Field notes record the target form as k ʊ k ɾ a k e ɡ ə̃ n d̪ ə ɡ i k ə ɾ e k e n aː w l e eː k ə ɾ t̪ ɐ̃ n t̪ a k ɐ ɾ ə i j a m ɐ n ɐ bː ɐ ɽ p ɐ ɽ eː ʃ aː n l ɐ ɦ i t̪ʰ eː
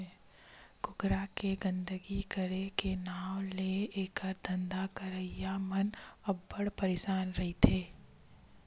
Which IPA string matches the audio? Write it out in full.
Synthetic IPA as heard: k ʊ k ɾ a k e ɡ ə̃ n d̪ ə ɡ i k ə ɾ e k e n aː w l e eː k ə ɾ d̪ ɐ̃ n d̪ a k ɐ ɾ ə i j a m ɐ n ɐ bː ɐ ɽ p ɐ ɾ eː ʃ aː n ɾ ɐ ɦ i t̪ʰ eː